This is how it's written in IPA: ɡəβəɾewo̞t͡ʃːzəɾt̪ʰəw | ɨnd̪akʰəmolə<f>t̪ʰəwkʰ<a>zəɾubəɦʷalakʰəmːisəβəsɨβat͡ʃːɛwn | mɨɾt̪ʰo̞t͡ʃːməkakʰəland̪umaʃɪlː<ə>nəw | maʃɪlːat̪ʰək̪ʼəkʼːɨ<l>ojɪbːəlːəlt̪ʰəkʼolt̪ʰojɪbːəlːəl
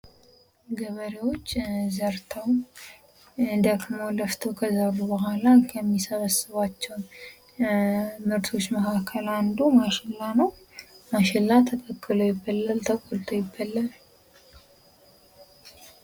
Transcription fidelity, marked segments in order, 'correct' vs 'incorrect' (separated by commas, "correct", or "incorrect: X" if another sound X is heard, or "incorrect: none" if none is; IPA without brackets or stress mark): correct, incorrect: ə, incorrect: a, correct